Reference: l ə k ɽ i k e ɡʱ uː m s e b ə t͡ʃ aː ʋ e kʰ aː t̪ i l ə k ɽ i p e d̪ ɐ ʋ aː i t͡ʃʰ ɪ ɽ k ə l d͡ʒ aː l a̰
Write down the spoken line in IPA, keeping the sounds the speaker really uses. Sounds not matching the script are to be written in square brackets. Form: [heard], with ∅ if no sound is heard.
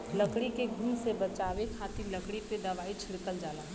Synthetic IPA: l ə k ɽ i k e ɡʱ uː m s e b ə t͡ʃ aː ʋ e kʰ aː t̪ i l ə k ɽ i p e d̪ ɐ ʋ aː i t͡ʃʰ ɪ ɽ k ə l d͡ʒ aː l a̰

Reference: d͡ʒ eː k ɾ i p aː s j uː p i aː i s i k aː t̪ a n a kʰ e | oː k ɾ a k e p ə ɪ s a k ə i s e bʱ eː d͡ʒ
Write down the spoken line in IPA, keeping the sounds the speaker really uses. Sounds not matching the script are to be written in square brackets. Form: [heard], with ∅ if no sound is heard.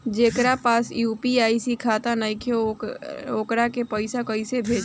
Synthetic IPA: d͡ʒ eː k ɾ [a] p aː s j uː p i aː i s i [kʰ] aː t̪ a n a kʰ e | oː k ɾ a k e p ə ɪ s a k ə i s e bʱ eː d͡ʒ

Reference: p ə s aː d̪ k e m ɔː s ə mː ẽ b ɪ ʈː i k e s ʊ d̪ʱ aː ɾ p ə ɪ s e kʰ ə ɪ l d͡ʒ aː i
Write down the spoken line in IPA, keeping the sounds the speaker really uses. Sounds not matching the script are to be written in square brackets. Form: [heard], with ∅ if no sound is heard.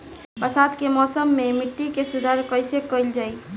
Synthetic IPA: p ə s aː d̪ k e m ɔː s ə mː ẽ [m] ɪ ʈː i k e s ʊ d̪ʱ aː ɾ [k] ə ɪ s e [k] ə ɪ l d͡ʒ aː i

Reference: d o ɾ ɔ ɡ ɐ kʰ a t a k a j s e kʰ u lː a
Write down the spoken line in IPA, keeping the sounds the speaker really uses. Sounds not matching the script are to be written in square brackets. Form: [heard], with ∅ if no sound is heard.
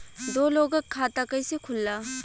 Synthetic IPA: d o [l] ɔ ɡ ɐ kʰ a t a k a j s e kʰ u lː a

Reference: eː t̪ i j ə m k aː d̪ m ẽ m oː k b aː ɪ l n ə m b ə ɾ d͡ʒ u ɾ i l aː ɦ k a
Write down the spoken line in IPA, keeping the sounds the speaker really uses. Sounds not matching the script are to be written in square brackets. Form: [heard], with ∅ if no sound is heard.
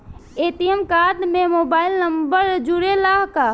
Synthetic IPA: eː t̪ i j ə m k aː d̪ m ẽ m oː [∅] b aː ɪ l n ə m b ə ɾ d͡ʒ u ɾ [e] l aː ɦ k a

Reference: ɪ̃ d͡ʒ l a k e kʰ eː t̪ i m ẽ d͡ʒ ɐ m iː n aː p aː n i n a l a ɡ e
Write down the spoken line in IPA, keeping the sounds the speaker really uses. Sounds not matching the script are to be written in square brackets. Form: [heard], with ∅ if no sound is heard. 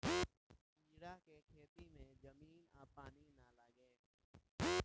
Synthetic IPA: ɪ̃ d͡ʒ [ɽ] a k e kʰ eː t̪ i m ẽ d͡ʒ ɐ m iː n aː p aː n i n a l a ɡ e

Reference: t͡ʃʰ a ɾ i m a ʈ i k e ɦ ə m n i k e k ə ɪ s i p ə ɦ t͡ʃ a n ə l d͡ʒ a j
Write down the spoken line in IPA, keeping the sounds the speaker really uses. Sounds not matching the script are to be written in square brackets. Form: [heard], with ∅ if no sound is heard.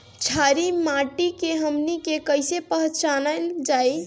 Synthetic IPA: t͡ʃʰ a ɾ i m a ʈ i k e ɦ ə m n i k e k ə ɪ s [e] p ə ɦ t͡ʃ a n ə l d͡ʒ a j

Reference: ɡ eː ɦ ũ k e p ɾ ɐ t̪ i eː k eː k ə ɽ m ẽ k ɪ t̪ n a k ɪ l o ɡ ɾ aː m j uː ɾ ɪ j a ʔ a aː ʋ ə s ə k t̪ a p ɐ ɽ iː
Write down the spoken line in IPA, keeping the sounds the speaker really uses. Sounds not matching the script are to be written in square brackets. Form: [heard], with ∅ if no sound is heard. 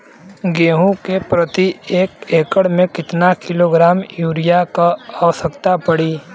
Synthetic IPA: ɡ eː ɦ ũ k e p ɾ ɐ t̪ i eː k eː k ə ɽ m ẽ k ɪ t̪ n a k ɪ l o ɡ ɾ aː m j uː ɾ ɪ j a [k] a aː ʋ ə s ə k t̪ a p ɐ ɽ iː

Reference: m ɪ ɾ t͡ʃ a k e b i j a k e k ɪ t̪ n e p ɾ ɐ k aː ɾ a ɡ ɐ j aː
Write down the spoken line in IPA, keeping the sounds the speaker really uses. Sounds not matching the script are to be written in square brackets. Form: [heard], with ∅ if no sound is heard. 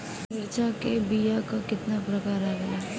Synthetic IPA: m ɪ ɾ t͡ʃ a k e b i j a k [a] k ɪ t̪ n [a] p ɾ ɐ k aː ɾ a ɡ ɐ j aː

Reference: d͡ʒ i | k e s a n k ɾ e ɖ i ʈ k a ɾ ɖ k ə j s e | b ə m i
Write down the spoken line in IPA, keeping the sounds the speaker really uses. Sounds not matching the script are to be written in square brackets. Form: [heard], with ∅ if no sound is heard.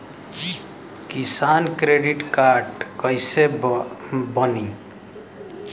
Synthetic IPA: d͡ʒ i | k [i] s a n k ɾ e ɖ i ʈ k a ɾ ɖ k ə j s e | b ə [n] i

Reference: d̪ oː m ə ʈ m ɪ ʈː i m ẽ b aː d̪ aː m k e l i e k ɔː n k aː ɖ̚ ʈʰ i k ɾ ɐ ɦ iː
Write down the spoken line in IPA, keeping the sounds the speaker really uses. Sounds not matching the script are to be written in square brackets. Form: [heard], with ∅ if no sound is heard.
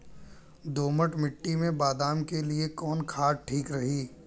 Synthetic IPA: d̪ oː m ə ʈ m ɪ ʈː i m ẽ b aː d̪ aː m k e l i e k ɔː n [kʰ] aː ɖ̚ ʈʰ [iː] k ɾ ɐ ɦ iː

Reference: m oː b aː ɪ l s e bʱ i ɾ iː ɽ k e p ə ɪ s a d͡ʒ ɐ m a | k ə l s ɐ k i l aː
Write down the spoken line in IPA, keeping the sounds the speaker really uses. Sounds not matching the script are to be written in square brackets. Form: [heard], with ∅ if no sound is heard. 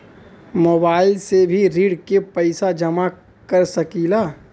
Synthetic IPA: m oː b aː ɪ l s e bʱ i ɾ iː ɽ k e p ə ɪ s a d͡ʒ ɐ m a | k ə [ɾ] s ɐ k i l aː

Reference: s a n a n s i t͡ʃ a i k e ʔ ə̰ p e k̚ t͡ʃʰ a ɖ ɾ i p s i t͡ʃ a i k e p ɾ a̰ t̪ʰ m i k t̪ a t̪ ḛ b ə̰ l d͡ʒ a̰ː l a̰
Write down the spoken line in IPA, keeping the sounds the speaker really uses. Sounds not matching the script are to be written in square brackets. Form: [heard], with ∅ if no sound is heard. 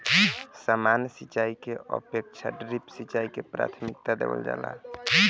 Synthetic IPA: s a [m] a n s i t͡ʃ a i k e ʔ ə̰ p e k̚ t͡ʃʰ a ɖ ɾ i p s i t͡ʃ a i k e p ɾ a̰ t̪ʰ m i k t̪ a [d̪] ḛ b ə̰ l d͡ʒ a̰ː l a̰

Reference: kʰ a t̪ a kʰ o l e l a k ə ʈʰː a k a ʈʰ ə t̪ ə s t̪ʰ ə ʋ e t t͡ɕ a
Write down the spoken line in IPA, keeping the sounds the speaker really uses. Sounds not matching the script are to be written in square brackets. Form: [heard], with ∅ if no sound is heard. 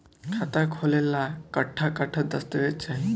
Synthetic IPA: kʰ a t̪ a kʰ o l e l a k ə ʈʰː a k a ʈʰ ə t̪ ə s [t̪] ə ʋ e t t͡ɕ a

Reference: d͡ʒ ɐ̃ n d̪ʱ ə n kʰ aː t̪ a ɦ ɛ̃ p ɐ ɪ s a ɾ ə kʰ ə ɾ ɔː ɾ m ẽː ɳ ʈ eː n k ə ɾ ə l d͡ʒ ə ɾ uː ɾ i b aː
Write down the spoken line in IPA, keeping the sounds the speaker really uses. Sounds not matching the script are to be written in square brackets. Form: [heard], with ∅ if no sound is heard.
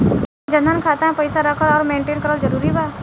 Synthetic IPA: d͡ʒ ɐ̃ n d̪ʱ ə n kʰ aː t̪ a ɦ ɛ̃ p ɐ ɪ s a ɾ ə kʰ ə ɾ ɔː ɾ m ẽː ɳ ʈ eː n k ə ɾ ə l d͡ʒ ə ɾ uː ɾ i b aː

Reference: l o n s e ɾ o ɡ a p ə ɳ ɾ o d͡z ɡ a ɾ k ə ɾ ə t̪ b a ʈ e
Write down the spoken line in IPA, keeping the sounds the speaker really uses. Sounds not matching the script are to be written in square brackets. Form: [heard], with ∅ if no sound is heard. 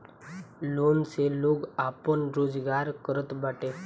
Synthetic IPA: l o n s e [l] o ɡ a p ə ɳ ɾ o d͡z ɡ a ɾ k ə ɾ ə t̪ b a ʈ e

